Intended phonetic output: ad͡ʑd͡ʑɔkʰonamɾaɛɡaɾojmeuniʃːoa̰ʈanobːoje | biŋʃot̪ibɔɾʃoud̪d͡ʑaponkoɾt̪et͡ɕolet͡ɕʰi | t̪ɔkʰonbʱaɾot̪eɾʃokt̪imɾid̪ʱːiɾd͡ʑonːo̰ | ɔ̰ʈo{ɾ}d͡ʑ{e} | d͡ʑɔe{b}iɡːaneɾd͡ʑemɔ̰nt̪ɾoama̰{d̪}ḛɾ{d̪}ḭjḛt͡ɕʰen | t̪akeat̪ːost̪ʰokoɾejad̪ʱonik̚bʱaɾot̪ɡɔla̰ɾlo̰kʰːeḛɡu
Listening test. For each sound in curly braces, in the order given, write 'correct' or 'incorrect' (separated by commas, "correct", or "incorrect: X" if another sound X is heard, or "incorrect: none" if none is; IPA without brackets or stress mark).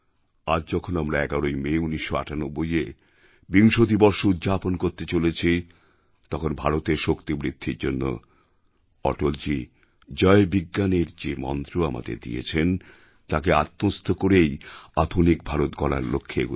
incorrect: l, incorrect: i, correct, correct, correct